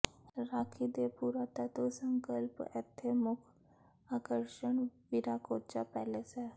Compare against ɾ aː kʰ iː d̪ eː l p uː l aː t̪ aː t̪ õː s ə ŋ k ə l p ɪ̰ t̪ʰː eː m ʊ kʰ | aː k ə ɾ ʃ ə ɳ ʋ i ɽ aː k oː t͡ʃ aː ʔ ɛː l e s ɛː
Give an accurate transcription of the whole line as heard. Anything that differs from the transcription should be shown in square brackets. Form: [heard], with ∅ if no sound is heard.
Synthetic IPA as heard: ɾ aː kʰ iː d̪ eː [∅] p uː [ɾ] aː t̪ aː t̪ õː s ə ŋ k ə l p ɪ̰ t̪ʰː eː m ʊ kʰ | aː k ə ɾ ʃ ə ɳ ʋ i [ɾ] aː k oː t͡ʃ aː [p] ɛː l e s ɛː

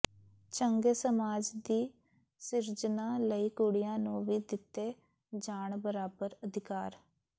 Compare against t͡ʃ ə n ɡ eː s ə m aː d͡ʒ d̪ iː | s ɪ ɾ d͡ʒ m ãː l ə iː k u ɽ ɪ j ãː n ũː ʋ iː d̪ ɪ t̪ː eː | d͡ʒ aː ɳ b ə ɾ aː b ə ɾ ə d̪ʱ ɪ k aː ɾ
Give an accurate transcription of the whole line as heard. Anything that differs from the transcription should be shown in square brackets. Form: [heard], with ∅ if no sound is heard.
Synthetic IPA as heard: t͡ʃ ə [ŋ] ɡ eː s ə m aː d͡ʒ d̪ iː | s ɪ ɾ d͡ʒ [n] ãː l ə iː k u ɽ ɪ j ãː n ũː ʋ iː d̪ ɪ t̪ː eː | d͡ʒ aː ɳ b ə ɾ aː b ə ɾ ə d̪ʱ ɪ k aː ɾ

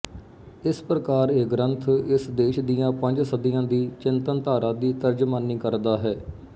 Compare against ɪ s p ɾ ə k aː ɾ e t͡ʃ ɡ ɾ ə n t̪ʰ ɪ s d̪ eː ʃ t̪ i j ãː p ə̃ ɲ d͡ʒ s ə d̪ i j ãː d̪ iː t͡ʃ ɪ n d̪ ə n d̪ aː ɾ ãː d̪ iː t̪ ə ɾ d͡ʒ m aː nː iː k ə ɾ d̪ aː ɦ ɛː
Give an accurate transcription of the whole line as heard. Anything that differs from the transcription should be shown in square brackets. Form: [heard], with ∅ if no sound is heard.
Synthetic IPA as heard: ɪ s p ɾ ə k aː ɾ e [∅] ɡ ɾ ə n t̪ʰ ɪ s d̪ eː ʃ [d̪] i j ãː p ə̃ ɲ d͡ʒ s ə d̪ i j ãː d̪ iː t͡ʃ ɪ n [t̪] ə n [t̪] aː ɾ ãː d̪ iː t̪ ə ɾ d͡ʒ m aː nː iː k ə ɾ d̪ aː ɦ ɛː

